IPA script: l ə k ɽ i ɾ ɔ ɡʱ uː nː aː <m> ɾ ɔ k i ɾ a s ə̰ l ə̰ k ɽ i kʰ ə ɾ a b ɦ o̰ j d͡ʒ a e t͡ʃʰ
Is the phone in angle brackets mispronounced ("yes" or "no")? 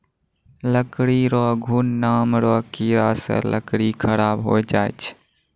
no